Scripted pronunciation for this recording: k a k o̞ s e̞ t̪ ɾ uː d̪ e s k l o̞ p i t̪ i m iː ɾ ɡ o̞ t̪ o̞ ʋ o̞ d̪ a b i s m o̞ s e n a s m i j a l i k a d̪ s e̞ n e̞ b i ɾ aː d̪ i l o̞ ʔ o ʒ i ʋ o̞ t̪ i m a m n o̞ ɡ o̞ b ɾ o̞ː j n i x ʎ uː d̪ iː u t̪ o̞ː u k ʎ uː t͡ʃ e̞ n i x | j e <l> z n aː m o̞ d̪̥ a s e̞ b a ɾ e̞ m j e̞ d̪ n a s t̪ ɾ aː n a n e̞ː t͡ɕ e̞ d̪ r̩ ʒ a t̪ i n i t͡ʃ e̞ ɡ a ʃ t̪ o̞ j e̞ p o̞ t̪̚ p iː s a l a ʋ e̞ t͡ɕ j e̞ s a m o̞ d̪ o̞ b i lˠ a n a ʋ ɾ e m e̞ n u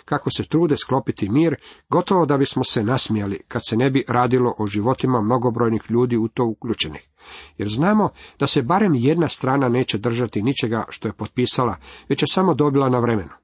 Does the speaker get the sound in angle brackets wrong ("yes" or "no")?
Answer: yes